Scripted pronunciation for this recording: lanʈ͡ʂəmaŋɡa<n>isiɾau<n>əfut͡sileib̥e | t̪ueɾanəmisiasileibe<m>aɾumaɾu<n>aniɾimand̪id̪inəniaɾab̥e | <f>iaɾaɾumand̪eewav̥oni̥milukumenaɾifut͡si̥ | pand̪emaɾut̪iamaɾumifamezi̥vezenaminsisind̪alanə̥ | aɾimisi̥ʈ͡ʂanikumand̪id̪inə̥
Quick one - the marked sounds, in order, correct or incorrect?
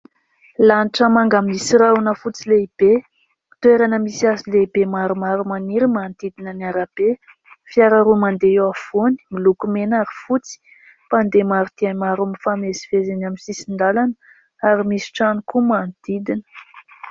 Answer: incorrect: m, correct, correct, incorrect: m, correct

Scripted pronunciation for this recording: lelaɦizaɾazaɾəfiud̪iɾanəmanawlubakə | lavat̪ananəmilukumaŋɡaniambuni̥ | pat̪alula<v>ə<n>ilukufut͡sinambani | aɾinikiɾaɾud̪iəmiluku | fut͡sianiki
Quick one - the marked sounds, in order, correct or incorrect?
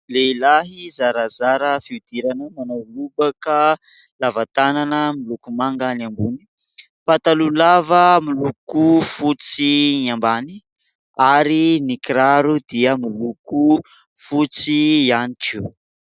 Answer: correct, incorrect: m

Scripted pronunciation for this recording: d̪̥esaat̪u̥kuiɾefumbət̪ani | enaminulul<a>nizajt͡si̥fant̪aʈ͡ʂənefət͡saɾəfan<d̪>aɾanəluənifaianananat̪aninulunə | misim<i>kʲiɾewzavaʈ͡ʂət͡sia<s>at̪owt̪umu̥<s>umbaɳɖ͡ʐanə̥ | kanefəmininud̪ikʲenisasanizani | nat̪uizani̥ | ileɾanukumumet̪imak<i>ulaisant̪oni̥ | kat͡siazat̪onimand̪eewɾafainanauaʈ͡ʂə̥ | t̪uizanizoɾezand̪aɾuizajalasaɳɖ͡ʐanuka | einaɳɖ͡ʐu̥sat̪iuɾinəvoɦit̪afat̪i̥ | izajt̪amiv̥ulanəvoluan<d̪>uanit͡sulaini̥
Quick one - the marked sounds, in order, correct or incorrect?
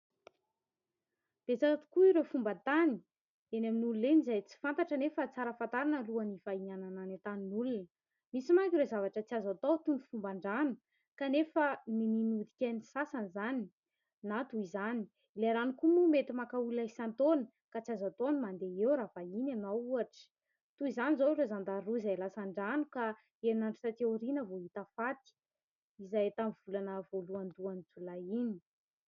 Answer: incorrect: e, incorrect: t̪, incorrect: a, incorrect: z, incorrect: f, incorrect: a, correct

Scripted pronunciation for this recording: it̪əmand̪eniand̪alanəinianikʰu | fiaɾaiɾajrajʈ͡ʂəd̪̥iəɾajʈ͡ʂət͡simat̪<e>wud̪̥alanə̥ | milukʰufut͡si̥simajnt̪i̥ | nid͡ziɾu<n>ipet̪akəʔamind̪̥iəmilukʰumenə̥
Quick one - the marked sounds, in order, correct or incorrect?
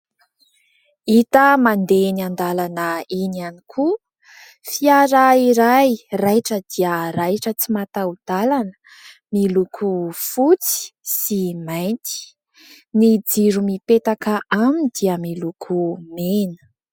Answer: incorrect: a, incorrect: m

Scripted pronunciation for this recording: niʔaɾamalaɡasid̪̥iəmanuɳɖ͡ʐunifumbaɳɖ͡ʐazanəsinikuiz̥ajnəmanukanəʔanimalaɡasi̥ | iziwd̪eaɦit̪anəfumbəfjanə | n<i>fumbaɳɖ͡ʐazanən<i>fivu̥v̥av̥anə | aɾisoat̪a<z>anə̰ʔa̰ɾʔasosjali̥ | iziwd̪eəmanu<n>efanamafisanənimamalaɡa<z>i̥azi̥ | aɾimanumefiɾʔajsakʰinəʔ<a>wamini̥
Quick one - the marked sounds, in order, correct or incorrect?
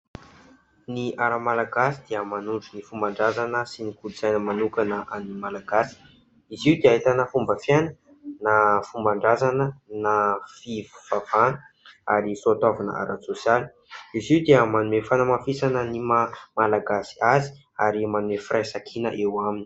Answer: incorrect: a, incorrect: a, incorrect: v, incorrect: m, incorrect: s, incorrect: e

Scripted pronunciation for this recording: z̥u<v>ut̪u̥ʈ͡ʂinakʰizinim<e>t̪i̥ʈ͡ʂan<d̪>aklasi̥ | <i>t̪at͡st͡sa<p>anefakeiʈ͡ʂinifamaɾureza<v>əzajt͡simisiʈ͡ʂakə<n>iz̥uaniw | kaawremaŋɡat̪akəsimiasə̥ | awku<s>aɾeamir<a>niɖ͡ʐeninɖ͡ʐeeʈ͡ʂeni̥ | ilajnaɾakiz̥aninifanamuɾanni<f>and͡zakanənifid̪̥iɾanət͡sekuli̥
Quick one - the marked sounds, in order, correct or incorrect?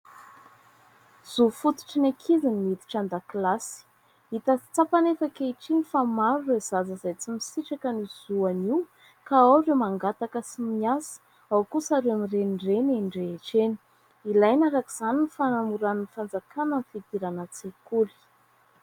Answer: incorrect: f, incorrect: i, correct, correct, correct, incorrect: z, correct, correct, incorrect: e, correct

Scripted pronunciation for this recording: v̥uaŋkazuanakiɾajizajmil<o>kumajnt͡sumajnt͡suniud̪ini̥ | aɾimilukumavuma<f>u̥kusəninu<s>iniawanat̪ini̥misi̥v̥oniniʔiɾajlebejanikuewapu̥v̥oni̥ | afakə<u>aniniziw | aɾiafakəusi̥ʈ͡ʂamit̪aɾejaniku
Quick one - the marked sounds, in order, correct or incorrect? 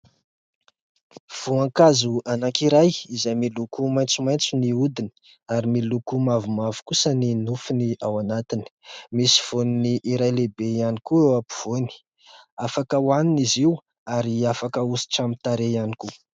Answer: incorrect: u, incorrect: v, incorrect: f, incorrect: w

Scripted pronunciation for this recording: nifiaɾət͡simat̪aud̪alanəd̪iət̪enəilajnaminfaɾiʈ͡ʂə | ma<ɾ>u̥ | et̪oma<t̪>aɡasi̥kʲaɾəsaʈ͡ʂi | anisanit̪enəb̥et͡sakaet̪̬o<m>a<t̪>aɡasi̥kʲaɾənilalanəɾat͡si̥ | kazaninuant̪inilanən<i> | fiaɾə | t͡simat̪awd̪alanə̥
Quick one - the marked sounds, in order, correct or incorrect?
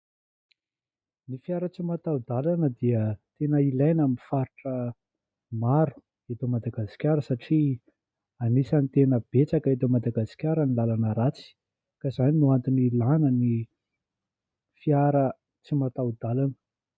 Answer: correct, incorrect: d̪, correct, incorrect: d̪, correct

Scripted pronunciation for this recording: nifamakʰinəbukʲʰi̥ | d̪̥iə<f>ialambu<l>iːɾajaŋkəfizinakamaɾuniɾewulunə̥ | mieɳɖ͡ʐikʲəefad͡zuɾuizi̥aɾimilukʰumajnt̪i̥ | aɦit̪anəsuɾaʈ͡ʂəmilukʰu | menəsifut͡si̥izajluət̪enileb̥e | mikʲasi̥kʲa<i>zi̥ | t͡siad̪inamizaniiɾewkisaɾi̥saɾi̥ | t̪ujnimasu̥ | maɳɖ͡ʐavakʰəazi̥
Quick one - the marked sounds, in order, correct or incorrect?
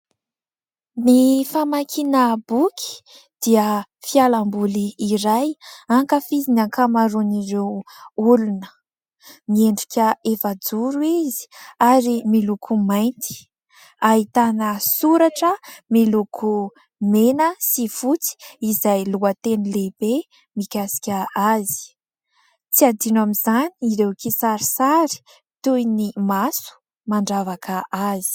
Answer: correct, correct, incorrect: a

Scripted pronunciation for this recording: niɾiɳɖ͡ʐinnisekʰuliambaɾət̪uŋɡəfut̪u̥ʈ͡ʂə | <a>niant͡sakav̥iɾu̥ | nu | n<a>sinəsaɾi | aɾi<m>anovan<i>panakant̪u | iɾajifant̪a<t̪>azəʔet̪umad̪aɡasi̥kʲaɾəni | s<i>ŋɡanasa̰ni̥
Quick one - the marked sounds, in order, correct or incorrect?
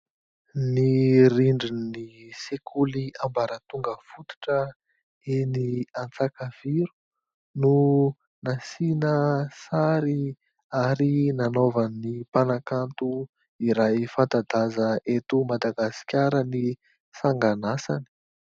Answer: incorrect: e, correct, incorrect: n, correct, incorrect: d̪, incorrect: a

